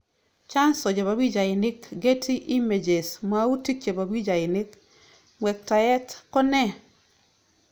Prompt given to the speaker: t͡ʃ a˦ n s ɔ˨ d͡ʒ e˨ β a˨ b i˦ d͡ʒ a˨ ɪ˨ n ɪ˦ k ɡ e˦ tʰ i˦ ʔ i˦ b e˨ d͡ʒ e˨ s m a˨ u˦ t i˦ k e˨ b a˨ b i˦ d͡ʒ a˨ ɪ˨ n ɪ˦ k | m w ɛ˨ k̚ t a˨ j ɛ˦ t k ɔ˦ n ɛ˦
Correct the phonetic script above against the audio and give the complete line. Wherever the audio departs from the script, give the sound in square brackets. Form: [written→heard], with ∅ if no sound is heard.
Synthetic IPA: t͡ʃ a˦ n s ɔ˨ d͡ʒ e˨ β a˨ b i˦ d͡ʒ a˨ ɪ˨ n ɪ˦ k ɡ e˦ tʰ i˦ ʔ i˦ [b→m] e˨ d͡ʒ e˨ s m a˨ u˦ t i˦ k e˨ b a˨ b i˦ d͡ʒ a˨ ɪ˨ n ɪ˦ k | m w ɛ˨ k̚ t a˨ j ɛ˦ t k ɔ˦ n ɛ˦